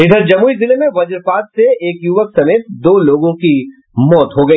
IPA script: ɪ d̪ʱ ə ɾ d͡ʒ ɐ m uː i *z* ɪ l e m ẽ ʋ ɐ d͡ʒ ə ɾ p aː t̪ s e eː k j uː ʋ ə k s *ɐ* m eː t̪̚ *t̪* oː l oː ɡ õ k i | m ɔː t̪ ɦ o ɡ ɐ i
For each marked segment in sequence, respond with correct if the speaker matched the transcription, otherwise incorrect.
correct, correct, incorrect: d̪

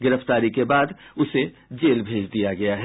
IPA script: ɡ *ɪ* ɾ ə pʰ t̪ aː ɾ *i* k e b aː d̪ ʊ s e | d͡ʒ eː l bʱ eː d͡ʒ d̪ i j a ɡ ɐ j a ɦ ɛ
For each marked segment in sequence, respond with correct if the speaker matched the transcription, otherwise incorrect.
correct, correct

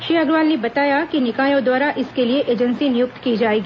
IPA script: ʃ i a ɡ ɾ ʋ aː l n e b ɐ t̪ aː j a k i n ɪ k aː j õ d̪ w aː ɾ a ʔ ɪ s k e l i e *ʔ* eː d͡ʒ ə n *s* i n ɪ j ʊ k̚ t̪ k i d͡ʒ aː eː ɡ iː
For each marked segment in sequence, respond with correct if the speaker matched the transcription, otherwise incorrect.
correct, correct

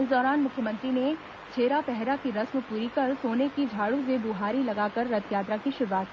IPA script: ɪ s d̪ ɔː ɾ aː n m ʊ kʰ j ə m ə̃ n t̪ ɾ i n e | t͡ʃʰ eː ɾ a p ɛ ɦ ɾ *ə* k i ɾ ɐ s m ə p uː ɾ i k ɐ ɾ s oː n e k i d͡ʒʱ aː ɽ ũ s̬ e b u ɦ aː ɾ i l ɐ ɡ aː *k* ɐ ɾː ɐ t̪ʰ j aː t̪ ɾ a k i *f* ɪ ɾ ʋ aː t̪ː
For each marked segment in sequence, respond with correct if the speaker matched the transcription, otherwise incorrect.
incorrect: a, correct, incorrect: ʃ

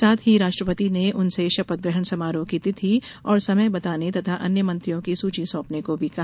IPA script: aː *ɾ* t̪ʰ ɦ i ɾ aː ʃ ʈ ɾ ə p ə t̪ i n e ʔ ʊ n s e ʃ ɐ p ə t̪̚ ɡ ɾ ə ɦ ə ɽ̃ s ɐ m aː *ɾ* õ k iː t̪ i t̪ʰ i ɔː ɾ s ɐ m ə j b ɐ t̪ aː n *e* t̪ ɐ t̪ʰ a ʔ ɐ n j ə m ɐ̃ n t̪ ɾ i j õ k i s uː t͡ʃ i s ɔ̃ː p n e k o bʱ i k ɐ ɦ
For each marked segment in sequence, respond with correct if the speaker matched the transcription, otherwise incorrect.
incorrect: none, correct, correct

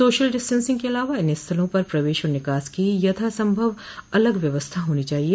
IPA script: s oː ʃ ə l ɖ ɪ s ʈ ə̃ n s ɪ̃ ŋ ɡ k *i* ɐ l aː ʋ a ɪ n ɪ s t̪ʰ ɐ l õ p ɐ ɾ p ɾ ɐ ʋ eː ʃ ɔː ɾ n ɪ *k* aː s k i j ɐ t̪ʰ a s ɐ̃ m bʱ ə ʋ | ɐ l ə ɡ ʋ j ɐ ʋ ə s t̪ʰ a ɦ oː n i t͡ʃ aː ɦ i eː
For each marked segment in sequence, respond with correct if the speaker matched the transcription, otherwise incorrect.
incorrect: e, correct

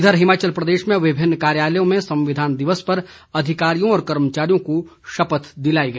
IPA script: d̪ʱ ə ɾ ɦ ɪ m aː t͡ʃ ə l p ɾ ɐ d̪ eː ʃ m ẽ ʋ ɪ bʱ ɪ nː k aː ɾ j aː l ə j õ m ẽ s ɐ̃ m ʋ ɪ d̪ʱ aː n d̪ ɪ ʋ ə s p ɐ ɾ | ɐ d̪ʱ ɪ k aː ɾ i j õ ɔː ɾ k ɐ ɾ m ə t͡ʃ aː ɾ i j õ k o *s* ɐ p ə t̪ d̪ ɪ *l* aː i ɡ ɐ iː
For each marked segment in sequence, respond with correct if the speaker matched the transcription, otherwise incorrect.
incorrect: ʃ, correct

